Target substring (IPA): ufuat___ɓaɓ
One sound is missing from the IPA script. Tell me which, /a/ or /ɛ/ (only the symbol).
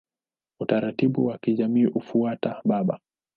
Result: a